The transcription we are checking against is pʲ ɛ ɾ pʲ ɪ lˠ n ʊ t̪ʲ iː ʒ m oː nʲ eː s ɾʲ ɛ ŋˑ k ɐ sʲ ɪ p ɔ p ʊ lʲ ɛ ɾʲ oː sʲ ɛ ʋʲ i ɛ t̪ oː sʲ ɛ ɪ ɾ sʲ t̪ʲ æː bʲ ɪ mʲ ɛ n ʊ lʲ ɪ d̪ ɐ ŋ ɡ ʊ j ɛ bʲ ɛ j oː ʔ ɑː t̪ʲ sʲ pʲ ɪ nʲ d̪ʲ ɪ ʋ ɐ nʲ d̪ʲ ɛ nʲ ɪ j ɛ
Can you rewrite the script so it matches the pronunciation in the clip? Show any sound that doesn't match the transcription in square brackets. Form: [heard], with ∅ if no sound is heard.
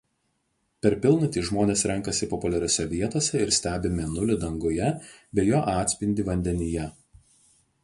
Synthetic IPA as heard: pʲ ɛ ɾ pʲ ɪ lˠ n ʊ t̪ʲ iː ʒ m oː nʲ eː s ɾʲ ɛ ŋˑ k ɐ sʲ ɪ p ɔ p ʊ lʲ ɛ ɾʲ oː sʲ ɛ ʋʲ i ɛ t̪ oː sʲ ɛ ɪ ɾ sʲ t̪ʲ æː bʲ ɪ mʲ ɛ n ʊ lʲ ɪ d̪ ɐ ŋ ɡ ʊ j ɛ bʲ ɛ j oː ʔ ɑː t̪ʲ sʲ pʲ ɪ nʲ d̪ʲ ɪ ʋ ɐ nʲ d̪ʲ ɛ nʲ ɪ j ɛ

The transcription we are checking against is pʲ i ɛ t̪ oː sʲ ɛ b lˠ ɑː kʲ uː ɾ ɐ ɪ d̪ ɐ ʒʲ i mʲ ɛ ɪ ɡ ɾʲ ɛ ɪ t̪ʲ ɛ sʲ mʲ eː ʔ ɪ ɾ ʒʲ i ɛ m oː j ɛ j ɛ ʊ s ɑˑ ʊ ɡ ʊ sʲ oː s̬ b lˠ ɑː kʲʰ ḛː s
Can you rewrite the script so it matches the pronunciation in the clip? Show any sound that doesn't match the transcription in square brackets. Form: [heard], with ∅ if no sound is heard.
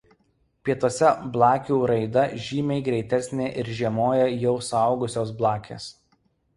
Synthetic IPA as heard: pʲ i ɛ t̪ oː sʲ ɛ b lˠ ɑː kʲ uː ɾ ɐ ɪ d̪ ɐ ʒʲ [iː] mʲ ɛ ɪ ɡ ɾʲ ɛ ɪ t̪ʲ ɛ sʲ [nʲ] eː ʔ ɪ ɾ ʒʲ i ɛ m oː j ɛ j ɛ ʊ s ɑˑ ʊ ɡ ʊ sʲ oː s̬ b lˠ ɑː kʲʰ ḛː s

